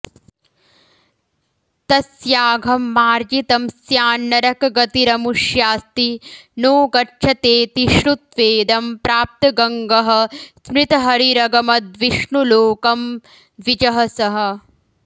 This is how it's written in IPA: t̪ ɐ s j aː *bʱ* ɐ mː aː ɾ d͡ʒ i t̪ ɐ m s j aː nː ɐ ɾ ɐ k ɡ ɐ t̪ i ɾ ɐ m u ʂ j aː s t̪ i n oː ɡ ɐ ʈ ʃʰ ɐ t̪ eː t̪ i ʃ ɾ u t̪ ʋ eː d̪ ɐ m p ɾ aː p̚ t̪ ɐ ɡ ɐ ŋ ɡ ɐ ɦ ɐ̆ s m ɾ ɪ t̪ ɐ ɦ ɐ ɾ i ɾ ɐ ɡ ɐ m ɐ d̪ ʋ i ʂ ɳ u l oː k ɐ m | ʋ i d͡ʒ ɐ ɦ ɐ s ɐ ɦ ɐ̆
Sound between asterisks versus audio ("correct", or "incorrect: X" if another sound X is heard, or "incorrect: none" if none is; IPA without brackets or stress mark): incorrect: ɡʱ